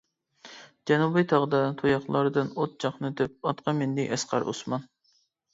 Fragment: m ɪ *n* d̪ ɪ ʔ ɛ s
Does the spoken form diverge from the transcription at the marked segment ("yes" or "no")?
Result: no